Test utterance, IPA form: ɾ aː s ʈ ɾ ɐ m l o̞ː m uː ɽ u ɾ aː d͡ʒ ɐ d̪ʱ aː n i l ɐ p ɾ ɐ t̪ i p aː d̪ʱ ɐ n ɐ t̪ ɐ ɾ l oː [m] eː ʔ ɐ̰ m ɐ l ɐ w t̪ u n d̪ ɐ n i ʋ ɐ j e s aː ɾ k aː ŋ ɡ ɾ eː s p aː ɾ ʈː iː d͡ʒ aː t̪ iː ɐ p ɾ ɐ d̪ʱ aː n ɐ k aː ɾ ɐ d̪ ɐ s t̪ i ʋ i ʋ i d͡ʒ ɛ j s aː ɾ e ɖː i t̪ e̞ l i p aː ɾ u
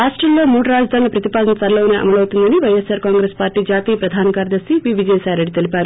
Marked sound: incorrect: n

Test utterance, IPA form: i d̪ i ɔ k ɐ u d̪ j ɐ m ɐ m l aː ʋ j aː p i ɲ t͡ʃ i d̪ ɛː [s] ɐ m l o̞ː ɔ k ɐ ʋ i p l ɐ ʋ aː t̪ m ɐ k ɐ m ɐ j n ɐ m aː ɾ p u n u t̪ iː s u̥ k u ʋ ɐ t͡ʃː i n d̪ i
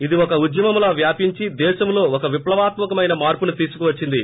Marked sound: incorrect: ʃ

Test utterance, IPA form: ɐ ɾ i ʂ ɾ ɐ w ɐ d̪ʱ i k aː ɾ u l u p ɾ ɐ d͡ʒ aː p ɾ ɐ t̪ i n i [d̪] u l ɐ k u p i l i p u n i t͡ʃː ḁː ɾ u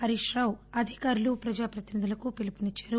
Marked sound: correct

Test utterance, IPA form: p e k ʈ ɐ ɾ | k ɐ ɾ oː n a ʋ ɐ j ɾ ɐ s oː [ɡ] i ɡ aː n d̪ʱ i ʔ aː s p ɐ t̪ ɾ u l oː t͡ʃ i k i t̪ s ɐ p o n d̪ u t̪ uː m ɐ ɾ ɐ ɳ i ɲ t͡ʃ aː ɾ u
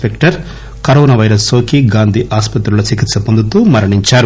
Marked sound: incorrect: k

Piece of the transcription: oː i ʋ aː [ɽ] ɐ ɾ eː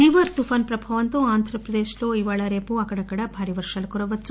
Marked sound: incorrect: ɭ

